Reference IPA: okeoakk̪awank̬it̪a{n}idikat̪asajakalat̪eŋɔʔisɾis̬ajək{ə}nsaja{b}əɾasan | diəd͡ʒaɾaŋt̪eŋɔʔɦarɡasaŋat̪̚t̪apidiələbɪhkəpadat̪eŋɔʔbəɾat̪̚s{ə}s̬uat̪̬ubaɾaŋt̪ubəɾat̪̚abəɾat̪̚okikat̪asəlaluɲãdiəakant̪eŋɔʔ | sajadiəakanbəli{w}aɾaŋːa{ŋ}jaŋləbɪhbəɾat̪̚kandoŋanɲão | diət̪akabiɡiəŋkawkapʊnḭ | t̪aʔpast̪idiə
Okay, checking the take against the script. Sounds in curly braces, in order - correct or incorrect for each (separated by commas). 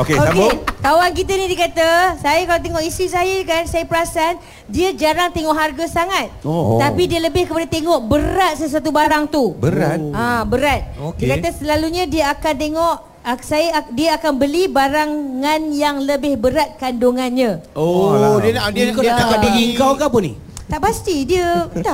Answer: correct, incorrect, incorrect, correct, incorrect, incorrect